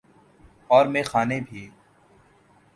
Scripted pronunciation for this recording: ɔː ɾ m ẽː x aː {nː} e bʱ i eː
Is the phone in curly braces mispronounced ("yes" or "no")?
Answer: yes